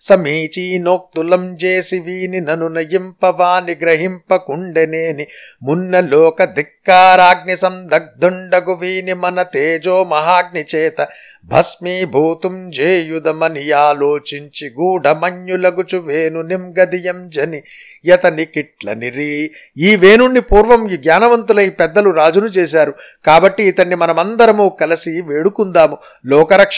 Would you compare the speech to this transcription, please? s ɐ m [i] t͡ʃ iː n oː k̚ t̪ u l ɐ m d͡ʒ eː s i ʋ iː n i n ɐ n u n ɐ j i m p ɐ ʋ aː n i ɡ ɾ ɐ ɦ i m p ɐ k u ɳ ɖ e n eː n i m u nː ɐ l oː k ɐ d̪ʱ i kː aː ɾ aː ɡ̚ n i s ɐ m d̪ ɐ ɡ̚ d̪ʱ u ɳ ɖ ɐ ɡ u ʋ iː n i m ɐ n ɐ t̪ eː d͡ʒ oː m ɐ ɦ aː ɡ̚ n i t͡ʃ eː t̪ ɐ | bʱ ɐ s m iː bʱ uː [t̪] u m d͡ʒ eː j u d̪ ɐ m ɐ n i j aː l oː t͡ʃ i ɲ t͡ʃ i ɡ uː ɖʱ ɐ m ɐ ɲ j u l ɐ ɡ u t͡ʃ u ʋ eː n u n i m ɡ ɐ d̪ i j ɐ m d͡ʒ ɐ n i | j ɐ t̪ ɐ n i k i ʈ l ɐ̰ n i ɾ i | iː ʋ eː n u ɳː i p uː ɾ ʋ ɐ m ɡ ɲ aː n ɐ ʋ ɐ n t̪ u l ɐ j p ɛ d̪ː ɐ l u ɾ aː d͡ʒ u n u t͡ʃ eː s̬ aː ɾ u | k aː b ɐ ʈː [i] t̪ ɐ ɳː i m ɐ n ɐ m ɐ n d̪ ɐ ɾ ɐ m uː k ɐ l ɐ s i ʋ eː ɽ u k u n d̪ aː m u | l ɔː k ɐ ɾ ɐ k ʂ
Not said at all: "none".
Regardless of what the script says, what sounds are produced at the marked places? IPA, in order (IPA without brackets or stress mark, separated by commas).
iː, t̪, iː